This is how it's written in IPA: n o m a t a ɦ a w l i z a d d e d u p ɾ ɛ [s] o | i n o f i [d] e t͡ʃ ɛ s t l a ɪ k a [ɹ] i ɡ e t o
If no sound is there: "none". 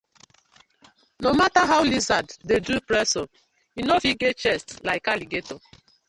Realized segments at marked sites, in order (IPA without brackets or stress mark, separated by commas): s, ɡ, l